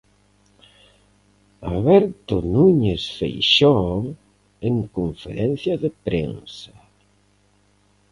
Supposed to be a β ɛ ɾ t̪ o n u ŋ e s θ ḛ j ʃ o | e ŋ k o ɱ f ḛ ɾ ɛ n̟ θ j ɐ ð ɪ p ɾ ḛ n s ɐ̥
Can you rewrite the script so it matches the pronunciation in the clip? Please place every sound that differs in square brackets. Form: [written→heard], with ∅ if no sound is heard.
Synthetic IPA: a β ɛ ɾ t̪ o n u [ŋ→ɲ] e s [θ→f] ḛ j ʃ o | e ŋ k o ɱ f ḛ ɾ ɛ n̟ θ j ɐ ð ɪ p ɾ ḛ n s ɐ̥